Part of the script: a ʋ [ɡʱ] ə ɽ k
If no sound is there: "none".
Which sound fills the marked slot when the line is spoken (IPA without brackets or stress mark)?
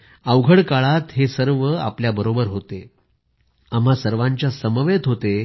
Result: ɡʱ